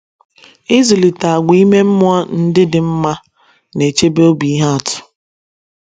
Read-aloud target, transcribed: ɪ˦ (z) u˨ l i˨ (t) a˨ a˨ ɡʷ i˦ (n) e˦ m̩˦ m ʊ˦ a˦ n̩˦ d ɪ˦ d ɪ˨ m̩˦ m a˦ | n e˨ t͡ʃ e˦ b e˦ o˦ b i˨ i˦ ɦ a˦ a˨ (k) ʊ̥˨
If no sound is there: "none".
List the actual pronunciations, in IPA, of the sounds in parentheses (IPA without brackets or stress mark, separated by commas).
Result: z, t, m, t